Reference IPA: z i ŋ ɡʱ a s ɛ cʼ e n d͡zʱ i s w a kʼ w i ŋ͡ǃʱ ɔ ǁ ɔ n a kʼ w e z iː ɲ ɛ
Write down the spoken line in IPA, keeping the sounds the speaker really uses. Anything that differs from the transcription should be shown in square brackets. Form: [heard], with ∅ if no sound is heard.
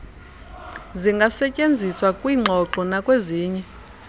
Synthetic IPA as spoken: z i ŋ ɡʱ a s ɛ cʼ e n d͡zʱ i s w a kʼ w i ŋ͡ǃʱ ɔ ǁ ɔ n a kʼ w e z iː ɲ ɛ